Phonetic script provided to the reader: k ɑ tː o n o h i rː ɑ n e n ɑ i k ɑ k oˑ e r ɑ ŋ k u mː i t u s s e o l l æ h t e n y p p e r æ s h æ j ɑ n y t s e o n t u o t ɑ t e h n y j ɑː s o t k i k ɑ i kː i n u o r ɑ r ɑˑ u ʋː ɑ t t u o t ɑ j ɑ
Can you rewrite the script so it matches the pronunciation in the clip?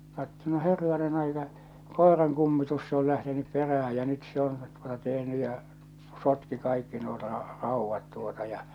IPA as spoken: k ɑ tː o n o h e rː ɑ n e n ɑ i k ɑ k oˑ e r ɑ ŋ k u mː i t u s s e o l l æ h t e n y p p e r æ h æ j ɑ n y t s e o n t u o t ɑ t e h n y j ɑ s o t k i k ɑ i kː i n u o r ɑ r ɑˑ u ʋː ɑ t t u o t ɑ j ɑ